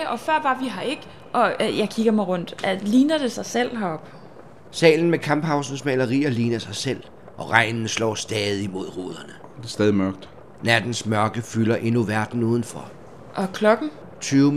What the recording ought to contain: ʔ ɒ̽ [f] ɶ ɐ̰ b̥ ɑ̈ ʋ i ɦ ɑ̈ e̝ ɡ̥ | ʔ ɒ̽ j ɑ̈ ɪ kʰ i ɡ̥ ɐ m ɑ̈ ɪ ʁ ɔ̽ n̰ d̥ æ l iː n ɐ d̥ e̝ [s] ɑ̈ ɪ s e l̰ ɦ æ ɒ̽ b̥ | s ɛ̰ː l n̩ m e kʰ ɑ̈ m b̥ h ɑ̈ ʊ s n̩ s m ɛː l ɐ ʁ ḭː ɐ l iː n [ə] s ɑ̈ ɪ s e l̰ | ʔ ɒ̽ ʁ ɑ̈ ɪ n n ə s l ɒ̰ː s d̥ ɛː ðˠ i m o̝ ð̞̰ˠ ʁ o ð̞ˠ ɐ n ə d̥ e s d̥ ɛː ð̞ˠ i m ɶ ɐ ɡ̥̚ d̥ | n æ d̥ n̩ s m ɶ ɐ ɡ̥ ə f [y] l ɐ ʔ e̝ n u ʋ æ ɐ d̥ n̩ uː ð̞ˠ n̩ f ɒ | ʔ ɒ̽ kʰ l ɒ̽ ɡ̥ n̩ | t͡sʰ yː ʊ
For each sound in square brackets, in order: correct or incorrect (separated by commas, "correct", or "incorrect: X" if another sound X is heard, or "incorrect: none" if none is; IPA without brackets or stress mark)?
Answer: correct, correct, incorrect: ɐ, correct